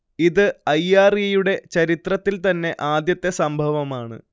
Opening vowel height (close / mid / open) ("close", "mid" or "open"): close